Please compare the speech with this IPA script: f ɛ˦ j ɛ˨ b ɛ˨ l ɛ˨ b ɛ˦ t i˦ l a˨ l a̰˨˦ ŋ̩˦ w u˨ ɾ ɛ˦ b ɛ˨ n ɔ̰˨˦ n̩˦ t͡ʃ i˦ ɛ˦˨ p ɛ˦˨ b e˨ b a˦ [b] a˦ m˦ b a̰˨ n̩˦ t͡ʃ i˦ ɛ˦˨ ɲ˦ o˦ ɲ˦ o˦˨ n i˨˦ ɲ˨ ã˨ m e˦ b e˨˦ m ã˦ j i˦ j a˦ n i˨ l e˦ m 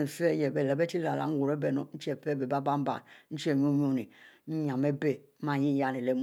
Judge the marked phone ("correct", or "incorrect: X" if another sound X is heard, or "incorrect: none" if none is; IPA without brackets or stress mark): correct